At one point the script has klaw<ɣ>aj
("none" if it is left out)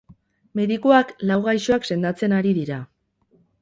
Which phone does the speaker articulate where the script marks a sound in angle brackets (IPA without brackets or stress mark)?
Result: ɣ